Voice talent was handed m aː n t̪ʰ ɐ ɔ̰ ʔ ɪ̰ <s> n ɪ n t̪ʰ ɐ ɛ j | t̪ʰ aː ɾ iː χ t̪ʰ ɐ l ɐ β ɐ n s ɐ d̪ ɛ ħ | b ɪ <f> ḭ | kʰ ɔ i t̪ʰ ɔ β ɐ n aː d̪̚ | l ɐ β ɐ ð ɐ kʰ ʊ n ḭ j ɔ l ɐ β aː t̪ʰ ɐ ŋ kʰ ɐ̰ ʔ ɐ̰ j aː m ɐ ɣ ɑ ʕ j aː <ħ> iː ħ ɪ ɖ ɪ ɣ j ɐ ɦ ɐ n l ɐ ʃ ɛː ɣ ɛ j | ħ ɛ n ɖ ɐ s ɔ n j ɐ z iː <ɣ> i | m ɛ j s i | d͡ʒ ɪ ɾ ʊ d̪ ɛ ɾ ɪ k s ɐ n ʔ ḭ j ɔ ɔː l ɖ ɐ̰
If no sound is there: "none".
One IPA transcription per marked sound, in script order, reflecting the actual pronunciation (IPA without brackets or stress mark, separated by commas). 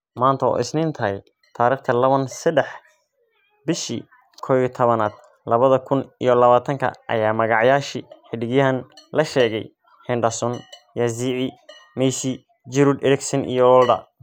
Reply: s, ʃ, ʃ, ʕ